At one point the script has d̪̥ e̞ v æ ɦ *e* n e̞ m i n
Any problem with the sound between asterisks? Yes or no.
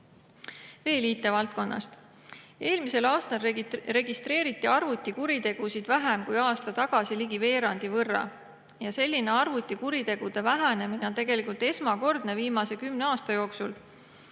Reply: yes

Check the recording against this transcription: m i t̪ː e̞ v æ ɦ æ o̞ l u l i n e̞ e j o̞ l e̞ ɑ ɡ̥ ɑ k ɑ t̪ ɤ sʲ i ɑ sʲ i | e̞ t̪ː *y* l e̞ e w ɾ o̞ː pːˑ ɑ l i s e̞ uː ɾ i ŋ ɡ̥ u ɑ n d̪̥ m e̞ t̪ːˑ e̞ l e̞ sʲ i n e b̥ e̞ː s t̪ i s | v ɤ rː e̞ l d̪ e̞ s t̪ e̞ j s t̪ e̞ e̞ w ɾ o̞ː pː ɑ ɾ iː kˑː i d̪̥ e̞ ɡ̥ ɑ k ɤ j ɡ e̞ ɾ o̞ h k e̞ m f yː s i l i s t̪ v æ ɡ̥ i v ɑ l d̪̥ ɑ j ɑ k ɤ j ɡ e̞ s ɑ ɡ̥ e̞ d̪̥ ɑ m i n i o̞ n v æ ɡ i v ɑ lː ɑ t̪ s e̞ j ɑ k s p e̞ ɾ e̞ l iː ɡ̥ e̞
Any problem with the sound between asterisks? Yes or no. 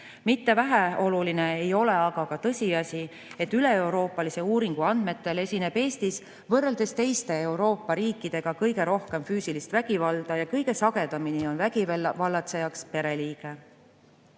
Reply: no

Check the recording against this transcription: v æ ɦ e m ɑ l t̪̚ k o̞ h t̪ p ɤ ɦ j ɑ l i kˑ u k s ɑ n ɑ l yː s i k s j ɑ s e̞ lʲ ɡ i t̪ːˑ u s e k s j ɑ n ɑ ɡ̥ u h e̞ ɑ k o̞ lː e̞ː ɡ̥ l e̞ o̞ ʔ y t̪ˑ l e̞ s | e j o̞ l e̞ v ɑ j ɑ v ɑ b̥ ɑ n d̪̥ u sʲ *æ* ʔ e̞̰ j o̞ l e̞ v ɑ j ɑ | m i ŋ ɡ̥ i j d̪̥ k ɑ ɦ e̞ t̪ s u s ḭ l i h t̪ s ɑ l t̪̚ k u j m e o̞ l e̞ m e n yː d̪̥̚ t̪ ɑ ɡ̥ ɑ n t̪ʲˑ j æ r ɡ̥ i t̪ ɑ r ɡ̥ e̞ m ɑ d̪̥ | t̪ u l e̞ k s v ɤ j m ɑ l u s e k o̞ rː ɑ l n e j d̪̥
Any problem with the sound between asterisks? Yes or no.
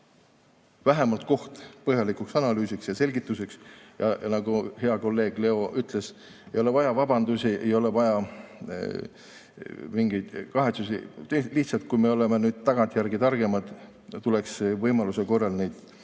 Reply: yes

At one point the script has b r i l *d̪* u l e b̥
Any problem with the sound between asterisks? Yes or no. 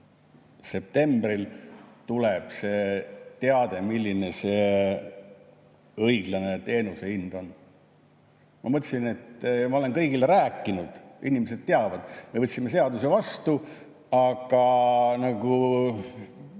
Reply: yes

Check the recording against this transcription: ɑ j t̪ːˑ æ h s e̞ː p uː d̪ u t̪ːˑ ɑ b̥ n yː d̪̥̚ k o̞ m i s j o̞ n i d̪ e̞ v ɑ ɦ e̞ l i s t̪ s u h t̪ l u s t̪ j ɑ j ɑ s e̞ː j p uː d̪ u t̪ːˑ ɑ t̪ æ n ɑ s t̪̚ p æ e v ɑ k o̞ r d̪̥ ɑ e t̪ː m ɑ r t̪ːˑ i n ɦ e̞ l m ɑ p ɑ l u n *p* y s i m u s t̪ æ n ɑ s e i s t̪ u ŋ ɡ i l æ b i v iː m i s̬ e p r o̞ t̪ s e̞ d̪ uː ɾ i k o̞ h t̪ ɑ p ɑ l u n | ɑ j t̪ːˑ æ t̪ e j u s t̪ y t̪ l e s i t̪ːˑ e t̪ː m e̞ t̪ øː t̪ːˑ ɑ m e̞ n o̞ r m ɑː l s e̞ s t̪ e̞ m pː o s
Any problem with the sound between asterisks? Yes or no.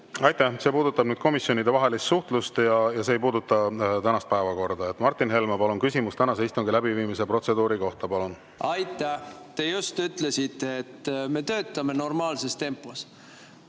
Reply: yes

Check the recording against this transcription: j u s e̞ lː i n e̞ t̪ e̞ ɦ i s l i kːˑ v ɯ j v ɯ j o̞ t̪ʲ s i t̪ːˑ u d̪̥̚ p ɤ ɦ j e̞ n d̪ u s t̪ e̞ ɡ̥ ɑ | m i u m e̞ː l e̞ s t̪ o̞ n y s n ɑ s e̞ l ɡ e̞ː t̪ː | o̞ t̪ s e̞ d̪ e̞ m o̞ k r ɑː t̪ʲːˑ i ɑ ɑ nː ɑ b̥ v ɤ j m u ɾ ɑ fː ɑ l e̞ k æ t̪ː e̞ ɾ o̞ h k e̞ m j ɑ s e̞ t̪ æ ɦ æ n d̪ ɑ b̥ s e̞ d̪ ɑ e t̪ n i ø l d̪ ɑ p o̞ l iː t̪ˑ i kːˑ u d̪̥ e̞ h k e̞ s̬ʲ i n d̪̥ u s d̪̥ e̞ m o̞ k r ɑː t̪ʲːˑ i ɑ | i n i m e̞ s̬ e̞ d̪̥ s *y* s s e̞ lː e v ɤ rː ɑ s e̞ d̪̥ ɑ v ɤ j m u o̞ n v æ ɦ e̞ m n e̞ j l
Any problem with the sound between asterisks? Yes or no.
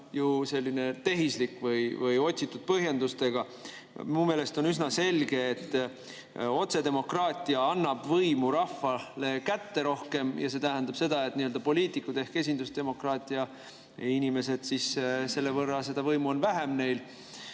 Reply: yes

